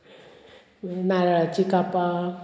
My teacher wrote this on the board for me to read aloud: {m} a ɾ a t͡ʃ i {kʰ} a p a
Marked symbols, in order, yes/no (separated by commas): no, no